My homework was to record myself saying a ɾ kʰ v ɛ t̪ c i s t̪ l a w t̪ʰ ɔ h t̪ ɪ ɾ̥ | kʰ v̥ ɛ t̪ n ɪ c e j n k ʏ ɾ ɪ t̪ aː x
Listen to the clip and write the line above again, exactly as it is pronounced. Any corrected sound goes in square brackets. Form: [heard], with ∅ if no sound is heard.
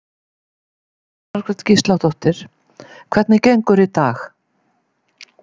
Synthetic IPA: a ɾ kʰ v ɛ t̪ c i s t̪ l a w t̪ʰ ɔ h t̪ ɪ ɾ̥ | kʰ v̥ ɛ t̪ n ɪ c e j [ŋ] k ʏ ɾ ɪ t̪ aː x